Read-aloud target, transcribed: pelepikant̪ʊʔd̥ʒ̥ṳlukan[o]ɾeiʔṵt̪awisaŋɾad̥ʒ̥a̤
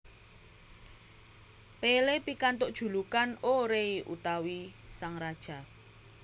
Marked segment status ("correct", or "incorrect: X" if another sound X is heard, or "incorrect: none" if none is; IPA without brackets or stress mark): correct